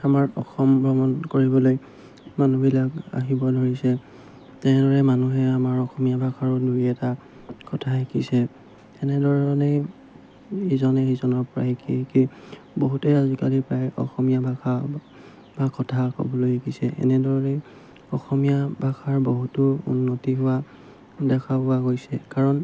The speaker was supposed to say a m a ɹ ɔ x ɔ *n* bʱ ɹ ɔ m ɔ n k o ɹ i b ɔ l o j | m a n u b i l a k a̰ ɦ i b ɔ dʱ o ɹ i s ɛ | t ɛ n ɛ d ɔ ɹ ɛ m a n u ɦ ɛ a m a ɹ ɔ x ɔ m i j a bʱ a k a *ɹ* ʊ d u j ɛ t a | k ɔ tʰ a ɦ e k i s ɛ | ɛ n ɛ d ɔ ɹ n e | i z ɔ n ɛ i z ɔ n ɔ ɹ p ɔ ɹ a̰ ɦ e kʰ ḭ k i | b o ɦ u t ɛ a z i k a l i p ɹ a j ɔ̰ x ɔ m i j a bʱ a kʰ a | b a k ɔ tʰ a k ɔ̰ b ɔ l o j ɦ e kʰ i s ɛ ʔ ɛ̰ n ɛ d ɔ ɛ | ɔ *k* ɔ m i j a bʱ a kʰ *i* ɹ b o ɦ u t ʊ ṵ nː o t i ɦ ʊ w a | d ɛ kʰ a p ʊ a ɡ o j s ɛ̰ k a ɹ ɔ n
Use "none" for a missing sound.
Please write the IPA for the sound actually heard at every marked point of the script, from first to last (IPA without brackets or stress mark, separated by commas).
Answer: m, ɹ, x, a